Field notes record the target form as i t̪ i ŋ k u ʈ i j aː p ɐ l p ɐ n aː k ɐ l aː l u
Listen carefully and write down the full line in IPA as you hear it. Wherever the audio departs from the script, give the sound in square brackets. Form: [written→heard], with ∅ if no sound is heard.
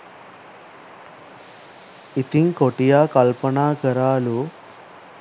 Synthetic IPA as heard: i t̪ i ŋ k [u→o] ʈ i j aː [p→k] ɐ l p ɐ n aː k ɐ [l→ɾ] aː l u